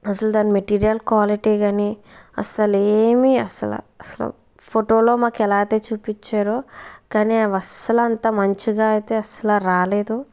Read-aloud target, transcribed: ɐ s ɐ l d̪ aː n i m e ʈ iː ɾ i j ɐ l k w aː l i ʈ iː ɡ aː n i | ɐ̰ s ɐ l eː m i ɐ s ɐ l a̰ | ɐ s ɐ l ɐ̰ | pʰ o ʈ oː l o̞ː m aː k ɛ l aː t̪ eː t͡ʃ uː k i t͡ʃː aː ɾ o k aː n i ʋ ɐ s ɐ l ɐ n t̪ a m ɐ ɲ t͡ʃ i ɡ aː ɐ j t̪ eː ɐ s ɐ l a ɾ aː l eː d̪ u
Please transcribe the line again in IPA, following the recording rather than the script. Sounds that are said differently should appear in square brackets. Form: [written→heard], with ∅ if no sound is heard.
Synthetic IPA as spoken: ɐ s ɐ l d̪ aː n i m e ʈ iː ɾ i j ɐ l k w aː l i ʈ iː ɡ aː n i | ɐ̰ s ɐ l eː m i ɐ s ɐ l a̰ | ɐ s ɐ l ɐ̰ | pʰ o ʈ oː l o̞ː m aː k ɛ l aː t̪ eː t͡ʃ uː [k→p] i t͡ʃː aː ɾ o k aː n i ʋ ɐ s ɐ l ɐ n t̪ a m ɐ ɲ t͡ʃ i ɡ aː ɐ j t̪ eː ɐ s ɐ l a ɾ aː l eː d̪ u